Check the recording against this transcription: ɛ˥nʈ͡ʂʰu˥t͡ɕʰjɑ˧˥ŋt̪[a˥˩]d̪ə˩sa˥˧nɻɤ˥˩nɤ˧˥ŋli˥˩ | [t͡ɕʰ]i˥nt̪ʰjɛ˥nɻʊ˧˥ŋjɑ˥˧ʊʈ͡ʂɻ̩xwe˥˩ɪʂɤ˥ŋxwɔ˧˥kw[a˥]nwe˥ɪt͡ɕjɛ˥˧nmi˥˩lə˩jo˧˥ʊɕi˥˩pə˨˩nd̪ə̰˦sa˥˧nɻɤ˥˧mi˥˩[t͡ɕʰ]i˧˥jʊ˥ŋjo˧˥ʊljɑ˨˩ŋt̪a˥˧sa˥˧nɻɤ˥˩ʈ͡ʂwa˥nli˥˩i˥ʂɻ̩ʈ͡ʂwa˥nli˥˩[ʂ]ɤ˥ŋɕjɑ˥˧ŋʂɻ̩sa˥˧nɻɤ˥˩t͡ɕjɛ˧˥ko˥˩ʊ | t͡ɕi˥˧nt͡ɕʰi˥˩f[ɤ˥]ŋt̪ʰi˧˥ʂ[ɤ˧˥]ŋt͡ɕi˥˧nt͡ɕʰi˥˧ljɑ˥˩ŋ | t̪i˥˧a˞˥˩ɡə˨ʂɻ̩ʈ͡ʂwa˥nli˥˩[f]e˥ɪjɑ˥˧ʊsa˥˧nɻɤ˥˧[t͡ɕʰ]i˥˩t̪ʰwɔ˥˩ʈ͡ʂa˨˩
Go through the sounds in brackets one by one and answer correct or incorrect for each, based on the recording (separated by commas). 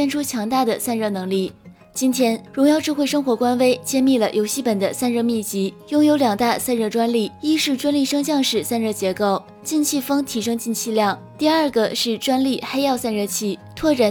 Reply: correct, incorrect, correct, incorrect, correct, correct, incorrect, incorrect, correct